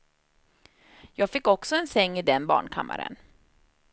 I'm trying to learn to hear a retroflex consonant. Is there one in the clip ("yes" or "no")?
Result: yes